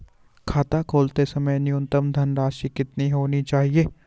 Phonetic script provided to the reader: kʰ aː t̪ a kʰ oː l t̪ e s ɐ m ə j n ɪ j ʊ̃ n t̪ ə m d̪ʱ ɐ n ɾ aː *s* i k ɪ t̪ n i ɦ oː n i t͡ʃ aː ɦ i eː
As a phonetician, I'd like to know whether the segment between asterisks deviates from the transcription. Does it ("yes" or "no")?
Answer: yes